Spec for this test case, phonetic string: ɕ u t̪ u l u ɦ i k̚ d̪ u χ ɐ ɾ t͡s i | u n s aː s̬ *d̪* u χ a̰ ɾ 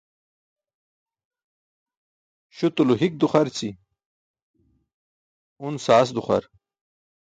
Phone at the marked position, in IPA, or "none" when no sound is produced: d̪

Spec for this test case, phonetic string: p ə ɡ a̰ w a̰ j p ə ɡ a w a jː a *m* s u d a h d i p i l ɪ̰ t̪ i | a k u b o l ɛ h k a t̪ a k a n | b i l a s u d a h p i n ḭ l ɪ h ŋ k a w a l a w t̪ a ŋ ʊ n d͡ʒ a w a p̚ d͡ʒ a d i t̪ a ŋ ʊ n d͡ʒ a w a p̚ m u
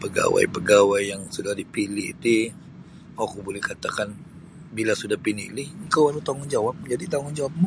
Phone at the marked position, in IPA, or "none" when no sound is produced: ŋ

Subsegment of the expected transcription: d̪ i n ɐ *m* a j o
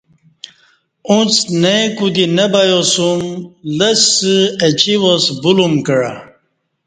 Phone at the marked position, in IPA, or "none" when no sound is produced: b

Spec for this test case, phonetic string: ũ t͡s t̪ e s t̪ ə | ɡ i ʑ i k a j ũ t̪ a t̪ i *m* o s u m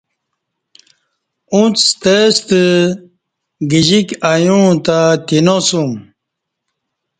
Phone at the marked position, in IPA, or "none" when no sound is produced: n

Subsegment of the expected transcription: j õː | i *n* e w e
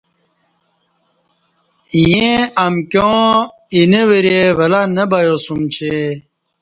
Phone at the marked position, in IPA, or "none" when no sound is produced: n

